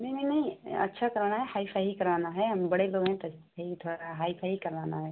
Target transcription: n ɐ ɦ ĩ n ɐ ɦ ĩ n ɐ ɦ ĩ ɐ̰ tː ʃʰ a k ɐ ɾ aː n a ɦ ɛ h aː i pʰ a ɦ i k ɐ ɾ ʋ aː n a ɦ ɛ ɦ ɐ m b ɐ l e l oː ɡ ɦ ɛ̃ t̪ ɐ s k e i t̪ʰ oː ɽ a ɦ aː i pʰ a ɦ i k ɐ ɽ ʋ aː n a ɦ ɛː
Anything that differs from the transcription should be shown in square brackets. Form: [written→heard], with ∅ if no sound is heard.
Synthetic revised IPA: n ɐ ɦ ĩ n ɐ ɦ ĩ n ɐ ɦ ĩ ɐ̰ tː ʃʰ a k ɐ ɾ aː n a ɦ ɛ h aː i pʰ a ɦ i k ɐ ɾ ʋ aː n a ɦ ɛ ɦ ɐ m b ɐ [l→ɽ] e l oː ɡ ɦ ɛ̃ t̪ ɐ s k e i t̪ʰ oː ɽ a ɦ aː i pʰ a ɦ i k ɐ [ɽ→ɾ] ʋ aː n a ɦ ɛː